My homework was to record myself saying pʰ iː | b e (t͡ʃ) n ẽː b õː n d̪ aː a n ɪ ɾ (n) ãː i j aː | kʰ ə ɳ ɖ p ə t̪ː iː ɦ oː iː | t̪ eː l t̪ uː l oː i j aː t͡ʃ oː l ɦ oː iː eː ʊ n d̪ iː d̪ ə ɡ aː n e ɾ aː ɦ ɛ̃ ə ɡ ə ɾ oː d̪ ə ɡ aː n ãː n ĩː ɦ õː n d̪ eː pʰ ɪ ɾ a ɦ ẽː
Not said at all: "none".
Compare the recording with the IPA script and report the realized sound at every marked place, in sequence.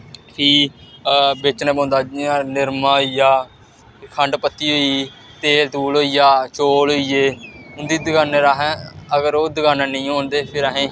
t͡ʃ, m

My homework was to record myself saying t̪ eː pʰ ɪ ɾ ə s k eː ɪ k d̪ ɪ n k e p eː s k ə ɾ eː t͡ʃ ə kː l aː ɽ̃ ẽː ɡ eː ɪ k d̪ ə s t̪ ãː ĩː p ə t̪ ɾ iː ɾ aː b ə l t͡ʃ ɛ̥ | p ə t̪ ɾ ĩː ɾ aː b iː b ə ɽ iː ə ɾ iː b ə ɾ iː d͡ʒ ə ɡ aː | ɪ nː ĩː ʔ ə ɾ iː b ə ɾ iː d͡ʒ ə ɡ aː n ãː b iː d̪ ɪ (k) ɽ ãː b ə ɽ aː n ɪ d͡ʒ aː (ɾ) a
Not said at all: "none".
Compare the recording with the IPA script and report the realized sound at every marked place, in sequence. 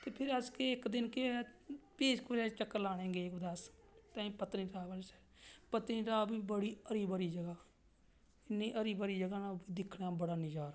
kʰ, ɾ

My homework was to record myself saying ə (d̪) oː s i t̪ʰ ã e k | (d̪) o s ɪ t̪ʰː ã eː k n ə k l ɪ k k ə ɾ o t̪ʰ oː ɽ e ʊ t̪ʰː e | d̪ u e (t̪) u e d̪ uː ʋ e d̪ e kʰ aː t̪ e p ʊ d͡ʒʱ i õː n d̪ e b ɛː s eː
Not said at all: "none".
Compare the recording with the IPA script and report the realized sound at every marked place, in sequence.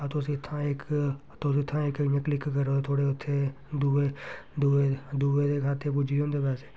t̪, t̪, d̪

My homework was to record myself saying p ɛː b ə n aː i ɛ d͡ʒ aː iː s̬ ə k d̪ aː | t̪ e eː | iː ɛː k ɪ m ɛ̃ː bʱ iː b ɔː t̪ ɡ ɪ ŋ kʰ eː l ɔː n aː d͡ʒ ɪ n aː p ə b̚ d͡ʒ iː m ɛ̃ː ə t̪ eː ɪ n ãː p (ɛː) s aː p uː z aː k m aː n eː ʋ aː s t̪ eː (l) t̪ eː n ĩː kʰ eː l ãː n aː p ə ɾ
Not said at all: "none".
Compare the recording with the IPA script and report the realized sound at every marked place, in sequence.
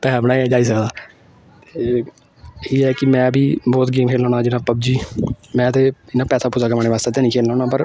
ɛː, none

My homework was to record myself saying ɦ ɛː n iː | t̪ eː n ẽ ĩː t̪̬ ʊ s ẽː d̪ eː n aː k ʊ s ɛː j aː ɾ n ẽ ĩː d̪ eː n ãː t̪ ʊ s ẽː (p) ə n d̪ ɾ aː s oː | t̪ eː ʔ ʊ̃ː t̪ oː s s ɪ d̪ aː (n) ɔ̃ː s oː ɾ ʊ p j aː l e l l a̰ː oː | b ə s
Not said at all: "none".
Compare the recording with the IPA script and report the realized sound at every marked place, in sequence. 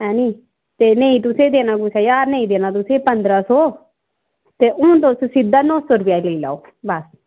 p, n

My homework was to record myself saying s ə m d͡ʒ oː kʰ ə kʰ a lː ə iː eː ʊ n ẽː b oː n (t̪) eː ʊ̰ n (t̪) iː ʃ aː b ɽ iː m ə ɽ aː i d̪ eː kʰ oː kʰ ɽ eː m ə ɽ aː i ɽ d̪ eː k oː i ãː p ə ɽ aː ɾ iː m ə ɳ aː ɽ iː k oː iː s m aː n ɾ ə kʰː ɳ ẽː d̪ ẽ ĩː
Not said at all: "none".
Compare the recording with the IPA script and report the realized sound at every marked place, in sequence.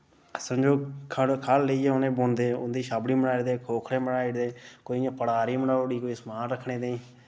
d̪, d̪

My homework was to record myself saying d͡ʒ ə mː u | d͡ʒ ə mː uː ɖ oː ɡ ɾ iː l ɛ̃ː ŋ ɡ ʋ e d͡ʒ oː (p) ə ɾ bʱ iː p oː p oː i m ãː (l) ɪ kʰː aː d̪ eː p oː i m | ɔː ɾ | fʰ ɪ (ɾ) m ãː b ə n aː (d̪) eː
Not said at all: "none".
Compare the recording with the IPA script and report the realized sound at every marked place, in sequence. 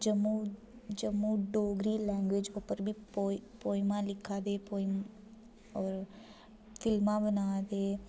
p, l, l, d̪

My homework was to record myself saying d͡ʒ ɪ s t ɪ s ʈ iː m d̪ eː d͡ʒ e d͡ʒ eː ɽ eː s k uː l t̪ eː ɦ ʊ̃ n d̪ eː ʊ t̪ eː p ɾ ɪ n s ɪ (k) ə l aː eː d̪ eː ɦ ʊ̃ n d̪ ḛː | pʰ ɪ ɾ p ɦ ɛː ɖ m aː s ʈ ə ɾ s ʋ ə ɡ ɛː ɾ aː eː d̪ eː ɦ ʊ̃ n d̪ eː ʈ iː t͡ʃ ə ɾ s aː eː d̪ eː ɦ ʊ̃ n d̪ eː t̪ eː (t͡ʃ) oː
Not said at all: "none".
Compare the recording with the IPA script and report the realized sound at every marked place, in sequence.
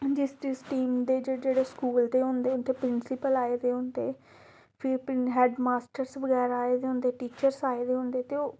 p, none

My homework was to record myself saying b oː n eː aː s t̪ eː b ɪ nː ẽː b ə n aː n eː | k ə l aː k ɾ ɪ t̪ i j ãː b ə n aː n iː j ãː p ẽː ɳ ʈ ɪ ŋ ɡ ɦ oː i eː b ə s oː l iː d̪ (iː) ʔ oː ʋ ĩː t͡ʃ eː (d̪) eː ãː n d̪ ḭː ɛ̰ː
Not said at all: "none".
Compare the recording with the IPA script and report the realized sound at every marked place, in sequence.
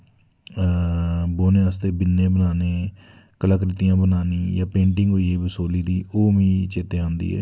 iː, t̪

